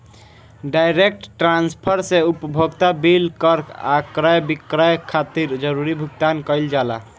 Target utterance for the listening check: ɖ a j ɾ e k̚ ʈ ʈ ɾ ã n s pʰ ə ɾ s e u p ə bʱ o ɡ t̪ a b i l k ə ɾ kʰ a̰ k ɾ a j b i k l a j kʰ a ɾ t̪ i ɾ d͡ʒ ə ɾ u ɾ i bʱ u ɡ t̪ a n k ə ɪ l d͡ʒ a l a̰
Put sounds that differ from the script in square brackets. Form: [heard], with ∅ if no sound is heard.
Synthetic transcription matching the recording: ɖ a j ɾ e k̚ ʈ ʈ ɾ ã n s pʰ ə ɾ s e u p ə bʱ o ɡ t̪ a b i l k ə ɾ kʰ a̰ k ɾ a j b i k [ɾ] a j kʰ a [∅] t̪ i ɾ d͡ʒ ə ɾ u ɾ i bʱ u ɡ t̪ a n k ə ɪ l d͡ʒ a l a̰

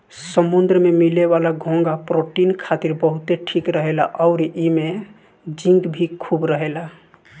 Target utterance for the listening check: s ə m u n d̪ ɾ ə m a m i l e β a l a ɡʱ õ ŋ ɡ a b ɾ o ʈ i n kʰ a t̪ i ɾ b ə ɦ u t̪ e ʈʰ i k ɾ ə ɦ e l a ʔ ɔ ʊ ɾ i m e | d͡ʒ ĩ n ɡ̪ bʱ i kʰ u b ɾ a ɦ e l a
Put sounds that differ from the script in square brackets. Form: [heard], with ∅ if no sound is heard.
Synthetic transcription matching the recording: s ə m u n d̪ ɾ ə m [e] m i l e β a l a ɡʱ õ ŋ ɡ a [p] ɾ o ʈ i n kʰ a t̪ i ɾ b ə ɦ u t̪ e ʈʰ i k ɾ ə ɦ e l a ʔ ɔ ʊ ɾ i m e | d͡ʒ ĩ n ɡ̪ bʱ i kʰ u b ɾ [ə] ɦ e l a

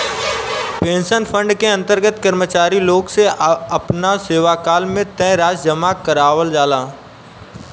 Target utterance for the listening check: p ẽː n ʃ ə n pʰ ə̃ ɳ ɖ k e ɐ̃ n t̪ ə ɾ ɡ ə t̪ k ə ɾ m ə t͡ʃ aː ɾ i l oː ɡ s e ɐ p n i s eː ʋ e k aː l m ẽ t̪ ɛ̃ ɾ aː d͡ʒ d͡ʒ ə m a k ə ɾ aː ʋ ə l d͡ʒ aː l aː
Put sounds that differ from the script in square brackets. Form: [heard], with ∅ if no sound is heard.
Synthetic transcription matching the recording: p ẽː n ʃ ə n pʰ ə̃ ɳ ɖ k e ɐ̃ n t̪ ə ɾ ɡ ə t̪ k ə ɾ m ə t͡ʃ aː ɾ i l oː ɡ s e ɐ p n [a] s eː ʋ [a] k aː l m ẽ t̪ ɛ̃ ɾ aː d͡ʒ d͡ʒ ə m a k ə ɾ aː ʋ ə l d͡ʒ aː l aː

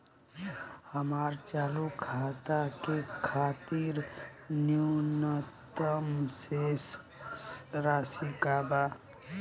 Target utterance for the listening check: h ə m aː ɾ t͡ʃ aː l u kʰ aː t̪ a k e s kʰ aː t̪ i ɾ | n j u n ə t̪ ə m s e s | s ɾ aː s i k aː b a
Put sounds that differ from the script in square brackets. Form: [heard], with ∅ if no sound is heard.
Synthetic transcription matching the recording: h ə m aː ɾ t͡ʃ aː l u kʰ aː t̪ a k e [∅] kʰ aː t̪ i ɾ | n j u n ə t̪ ə m s e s | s ɾ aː s i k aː b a

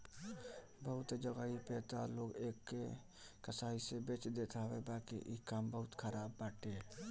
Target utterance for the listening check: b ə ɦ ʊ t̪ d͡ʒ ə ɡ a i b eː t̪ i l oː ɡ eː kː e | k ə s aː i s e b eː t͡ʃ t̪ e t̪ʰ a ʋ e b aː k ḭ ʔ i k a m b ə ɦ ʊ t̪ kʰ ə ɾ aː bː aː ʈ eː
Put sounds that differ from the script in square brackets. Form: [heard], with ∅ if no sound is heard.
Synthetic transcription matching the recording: b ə ɦ ʊ t̪ d͡ʒ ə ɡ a i [p] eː t̪ [a] l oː ɡ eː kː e | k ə s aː i s e b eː t͡ʃ [d̪] e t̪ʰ a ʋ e b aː k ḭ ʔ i k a m b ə ɦ ʊ t̪ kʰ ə ɾ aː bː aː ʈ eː

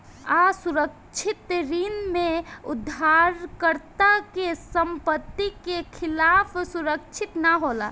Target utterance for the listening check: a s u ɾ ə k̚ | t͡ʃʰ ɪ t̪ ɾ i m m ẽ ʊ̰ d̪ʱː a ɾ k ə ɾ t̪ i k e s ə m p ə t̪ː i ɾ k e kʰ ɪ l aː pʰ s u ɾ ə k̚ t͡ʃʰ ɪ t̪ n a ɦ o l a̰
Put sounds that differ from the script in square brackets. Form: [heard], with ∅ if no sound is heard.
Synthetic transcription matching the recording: a s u ɾ ə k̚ | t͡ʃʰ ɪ t̪ ɾ i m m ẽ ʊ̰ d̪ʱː a ɾ k ə ɾ t̪ [a] k e s ə m p ə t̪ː i [∅] k e kʰ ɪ l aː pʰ s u ɾ ə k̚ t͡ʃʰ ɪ t̪ n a ɦ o l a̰

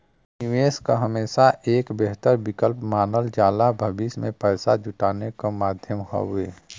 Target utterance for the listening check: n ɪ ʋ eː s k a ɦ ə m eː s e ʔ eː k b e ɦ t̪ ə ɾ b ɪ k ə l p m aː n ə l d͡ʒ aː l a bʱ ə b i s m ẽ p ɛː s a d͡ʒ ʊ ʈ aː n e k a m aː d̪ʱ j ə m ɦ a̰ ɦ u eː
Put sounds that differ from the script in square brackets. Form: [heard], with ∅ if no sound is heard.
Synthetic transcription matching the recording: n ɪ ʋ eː s k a ɦ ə m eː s [a] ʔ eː k b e ɦ t̪ ə ɾ b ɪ k ə l p m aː n ə l d͡ʒ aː l a bʱ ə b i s m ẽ p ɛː s a d͡ʒ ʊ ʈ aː n e k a m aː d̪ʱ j ə m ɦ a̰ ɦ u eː

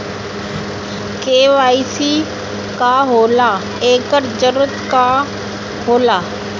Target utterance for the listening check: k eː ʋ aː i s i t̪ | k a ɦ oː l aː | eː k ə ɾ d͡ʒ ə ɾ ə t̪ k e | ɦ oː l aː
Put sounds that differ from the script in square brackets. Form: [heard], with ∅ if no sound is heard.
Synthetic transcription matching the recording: k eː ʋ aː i s i [∅] | k a ɦ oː l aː | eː k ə ɾ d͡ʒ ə ɾ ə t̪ k [a] | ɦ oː l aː

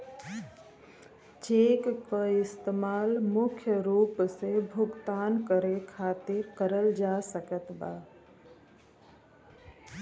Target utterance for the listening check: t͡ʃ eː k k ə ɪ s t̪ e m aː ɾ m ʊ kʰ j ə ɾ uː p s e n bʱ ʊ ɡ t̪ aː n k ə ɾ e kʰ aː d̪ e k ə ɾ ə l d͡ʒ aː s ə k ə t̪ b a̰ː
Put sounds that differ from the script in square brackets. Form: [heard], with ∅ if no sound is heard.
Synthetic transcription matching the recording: t͡ʃ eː k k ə ɪ s t̪ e m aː [l] m ʊ kʰ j ə ɾ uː p s e [∅] bʱ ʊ ɡ t̪ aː n k ə ɾ e kʰ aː [t̪] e k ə ɾ ə l d͡ʒ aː s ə k ə t̪ b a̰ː

